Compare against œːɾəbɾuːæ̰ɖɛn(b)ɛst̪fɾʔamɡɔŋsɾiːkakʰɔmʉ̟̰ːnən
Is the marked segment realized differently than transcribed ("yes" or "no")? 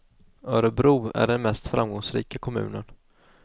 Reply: yes